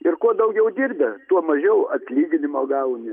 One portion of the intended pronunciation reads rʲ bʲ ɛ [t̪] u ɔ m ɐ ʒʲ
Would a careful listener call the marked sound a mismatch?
no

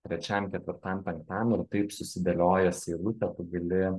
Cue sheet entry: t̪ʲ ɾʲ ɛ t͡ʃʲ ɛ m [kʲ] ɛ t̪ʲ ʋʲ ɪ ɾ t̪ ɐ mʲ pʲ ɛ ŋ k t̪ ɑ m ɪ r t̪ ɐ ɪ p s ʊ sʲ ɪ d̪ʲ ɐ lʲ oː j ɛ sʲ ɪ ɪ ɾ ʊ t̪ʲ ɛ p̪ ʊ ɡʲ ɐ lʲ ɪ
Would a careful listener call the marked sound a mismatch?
no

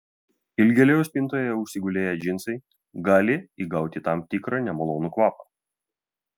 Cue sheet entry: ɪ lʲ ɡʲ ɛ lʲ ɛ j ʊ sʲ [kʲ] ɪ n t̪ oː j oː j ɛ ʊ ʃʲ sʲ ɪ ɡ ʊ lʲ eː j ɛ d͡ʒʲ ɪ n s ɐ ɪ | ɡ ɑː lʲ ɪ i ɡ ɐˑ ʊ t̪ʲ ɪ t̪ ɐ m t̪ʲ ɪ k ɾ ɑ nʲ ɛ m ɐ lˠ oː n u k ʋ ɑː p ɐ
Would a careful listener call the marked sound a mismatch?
yes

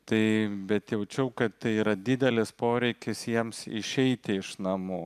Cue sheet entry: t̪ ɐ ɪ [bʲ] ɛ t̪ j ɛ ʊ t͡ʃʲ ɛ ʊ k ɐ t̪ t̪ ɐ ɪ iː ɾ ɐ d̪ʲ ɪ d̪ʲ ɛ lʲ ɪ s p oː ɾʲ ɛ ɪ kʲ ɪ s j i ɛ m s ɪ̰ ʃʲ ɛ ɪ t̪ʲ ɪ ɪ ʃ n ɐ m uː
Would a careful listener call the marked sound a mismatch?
no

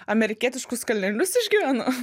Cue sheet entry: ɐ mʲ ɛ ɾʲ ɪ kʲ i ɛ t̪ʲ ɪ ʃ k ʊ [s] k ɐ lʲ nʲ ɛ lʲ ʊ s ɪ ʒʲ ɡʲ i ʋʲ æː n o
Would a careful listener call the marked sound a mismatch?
no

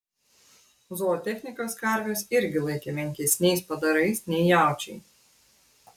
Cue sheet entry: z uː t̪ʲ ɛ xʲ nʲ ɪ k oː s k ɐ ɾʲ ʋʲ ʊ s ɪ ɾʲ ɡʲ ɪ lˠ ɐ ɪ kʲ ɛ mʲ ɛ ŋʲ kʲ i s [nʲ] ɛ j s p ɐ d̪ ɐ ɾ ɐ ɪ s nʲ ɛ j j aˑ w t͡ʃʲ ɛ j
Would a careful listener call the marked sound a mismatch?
no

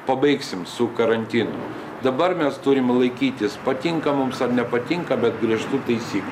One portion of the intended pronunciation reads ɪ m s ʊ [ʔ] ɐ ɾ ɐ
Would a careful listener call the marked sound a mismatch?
yes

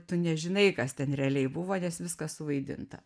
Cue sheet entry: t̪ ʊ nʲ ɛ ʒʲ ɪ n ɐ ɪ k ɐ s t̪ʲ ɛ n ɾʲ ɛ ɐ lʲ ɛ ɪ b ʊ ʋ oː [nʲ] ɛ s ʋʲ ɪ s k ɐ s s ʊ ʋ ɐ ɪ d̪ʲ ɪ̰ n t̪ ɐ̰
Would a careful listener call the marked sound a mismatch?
no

